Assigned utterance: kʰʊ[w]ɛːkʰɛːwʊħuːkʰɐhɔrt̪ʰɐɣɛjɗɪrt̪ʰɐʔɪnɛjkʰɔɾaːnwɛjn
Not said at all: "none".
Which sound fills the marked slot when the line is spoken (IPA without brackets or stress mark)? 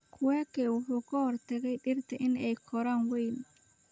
w